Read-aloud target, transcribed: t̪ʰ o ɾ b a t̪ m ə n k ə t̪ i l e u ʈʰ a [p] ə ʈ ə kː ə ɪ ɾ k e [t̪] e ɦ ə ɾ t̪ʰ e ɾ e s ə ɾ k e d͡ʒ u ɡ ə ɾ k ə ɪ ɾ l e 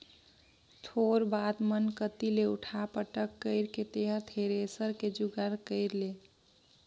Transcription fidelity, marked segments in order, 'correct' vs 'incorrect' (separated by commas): correct, correct